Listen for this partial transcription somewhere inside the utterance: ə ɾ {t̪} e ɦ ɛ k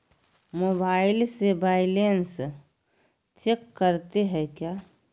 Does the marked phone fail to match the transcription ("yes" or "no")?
no